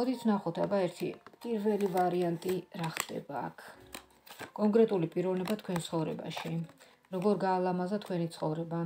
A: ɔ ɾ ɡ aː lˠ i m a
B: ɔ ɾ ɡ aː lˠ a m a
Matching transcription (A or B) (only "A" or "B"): B